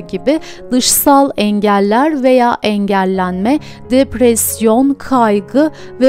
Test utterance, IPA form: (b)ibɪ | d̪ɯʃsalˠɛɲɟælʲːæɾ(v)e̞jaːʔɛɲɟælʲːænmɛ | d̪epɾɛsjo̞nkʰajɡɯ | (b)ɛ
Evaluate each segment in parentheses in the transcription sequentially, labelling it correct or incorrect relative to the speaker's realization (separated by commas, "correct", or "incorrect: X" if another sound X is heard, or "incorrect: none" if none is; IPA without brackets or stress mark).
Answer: incorrect: ɟ, correct, incorrect: v